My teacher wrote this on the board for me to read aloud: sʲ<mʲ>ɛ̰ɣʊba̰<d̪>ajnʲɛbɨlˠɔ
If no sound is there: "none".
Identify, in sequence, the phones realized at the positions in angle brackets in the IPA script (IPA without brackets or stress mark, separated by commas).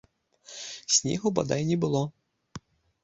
nʲ, d̪